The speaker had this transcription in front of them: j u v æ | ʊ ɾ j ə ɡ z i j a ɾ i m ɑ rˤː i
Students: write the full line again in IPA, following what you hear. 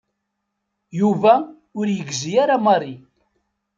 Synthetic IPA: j u v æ | ʊ ɾ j ə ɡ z i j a ɾ a m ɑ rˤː i